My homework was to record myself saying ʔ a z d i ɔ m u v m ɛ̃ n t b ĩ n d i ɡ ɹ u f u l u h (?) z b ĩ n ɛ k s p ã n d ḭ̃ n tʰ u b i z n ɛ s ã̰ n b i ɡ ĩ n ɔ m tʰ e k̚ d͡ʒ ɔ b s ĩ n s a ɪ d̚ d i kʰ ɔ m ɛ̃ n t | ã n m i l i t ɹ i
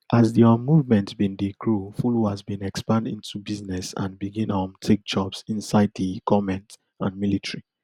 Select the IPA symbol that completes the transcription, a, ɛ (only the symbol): a